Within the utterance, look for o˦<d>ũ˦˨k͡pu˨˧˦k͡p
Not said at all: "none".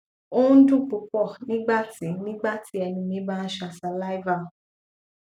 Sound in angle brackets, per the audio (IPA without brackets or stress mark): d